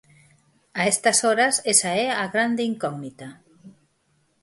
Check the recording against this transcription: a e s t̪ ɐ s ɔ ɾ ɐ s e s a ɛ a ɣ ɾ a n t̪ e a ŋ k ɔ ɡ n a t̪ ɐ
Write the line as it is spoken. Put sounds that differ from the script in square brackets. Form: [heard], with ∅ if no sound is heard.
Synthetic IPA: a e s t̪ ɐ s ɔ ɾ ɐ s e s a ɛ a ɣ ɾ a n [d̪] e [i] ŋ k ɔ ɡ n [i] t̪ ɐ